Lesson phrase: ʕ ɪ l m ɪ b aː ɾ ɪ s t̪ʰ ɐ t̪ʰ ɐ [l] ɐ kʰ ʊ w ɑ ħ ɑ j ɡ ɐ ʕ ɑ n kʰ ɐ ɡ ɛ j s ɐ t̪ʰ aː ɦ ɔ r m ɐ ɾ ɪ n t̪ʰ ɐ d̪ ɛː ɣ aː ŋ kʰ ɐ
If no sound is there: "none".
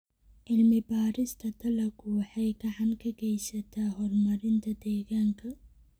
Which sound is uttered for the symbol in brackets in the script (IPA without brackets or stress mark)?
l